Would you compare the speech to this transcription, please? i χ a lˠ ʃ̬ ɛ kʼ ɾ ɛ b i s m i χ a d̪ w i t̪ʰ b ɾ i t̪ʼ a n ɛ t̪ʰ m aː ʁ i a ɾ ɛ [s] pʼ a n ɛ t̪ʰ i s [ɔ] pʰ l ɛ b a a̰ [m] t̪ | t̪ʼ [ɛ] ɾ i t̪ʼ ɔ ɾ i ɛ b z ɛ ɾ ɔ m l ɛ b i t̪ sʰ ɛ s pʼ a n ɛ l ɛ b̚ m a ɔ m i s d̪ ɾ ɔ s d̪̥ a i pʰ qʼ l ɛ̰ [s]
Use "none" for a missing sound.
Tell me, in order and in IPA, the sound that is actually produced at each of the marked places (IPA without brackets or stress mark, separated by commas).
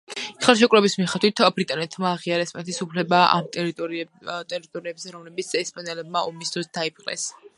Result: s, u, m, ɛ, s